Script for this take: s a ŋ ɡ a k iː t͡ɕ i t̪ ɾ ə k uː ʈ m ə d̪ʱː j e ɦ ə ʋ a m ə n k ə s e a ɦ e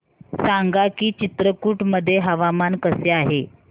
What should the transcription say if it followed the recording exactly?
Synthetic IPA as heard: s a ŋ ɡ a k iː t͡ɕ i t̪ ɾ ə k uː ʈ m ə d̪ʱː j e ɦ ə ʋ a m a n k ə s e a ɦ e